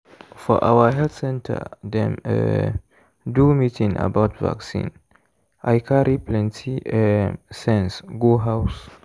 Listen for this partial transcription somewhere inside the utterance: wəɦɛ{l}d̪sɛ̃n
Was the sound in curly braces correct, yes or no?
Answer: yes